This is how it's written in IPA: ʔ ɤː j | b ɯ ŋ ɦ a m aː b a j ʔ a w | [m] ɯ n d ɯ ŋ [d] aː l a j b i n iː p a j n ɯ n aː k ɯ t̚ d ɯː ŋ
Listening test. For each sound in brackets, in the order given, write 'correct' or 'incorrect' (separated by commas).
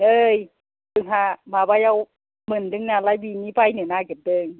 correct, incorrect